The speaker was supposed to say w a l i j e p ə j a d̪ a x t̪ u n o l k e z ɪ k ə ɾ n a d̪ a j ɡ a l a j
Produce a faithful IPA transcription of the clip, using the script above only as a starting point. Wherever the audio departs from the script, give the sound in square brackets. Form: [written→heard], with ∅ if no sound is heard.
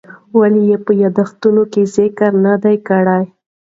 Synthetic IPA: w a l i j e p ə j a d̪ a x t̪ u n o [l→∅] k e z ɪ k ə ɾ n a d̪ a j [ɡ→k] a [l→ɽ] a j